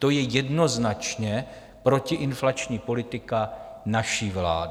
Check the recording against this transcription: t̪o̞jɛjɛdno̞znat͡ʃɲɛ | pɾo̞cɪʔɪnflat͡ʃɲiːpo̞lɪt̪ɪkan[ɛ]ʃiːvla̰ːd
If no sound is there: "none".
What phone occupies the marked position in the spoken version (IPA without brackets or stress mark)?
a